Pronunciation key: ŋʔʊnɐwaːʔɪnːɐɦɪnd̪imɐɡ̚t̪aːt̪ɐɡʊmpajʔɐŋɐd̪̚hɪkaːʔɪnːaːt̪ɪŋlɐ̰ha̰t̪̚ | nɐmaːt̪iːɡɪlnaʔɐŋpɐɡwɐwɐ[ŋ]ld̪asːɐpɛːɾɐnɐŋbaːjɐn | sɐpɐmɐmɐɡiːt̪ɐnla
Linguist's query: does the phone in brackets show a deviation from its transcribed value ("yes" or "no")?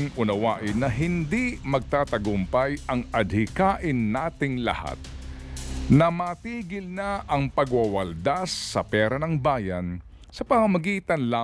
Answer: yes